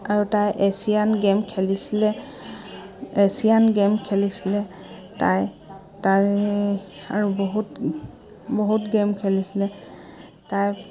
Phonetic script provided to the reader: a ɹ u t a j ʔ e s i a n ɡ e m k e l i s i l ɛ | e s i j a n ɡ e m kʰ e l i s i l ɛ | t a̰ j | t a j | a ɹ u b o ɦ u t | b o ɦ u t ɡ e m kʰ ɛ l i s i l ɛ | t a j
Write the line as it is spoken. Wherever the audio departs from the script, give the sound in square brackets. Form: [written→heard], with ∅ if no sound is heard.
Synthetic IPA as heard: a ɹ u t a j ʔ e s i a n ɡ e m [k→kʰ] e l i s i l ɛ | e s i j a n ɡ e m kʰ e l i s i l ɛ | t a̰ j | t a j | a ɹ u b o ɦ u t | b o ɦ u t ɡ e m kʰ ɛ l i s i l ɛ | t a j